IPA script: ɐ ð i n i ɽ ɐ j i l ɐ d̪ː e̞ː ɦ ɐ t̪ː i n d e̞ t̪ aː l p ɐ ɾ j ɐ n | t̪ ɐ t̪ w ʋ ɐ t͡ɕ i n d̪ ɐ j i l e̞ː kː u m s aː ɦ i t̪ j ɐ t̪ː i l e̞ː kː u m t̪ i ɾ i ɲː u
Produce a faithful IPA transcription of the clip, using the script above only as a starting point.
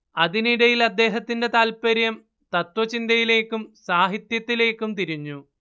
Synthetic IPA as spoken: ɐ ð i n i ɽ ɐ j i l ɐ d̪ː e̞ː ɦ ɐ t̪ː i n d e̞ t̪ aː l p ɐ ɾ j ɐ m | t̪ ɐ t̪ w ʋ ɐ t͡ɕ i n d̪ ɐ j i l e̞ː kː u m s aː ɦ i t̪ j ɐ t̪ː i l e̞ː kː u m t̪ i ɾ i ɲː u